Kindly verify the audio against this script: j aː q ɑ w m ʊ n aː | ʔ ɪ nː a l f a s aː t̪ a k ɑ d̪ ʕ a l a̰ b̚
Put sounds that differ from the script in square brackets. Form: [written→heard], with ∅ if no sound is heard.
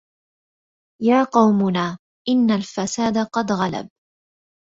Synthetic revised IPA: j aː q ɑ w m ʊ n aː | ʔ ɪ nː a l f a s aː [t̪→d̪] a [k→q] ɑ d̪ [ʕ→ɣ] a l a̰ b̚

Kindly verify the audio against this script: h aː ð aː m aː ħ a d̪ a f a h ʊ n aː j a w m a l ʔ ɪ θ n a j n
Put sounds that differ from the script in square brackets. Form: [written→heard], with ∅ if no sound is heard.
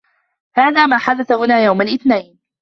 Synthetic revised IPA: h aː ð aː m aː ħ a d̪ a [f→θ] a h ʊ n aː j a w m a l ʔ ɪ θ n a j n

